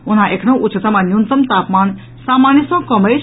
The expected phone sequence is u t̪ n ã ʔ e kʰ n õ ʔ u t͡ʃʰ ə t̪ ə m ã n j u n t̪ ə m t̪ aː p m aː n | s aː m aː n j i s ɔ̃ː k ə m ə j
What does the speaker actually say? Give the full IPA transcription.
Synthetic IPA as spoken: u n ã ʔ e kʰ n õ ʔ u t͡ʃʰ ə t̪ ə m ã n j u n t̪ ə m t̪ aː p m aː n | s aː m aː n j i s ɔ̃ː k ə m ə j